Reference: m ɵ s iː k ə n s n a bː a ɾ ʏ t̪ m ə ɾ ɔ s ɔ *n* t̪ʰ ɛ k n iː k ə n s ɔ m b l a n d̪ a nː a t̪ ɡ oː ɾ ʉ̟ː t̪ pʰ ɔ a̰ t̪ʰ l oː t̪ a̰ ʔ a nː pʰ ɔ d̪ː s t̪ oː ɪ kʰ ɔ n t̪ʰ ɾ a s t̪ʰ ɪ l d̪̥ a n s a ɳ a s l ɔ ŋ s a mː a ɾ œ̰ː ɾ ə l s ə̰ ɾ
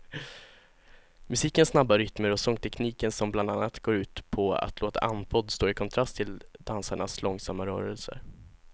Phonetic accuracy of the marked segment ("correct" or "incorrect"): incorrect